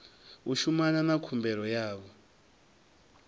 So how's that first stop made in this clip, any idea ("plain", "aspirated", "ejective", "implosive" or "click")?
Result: aspirated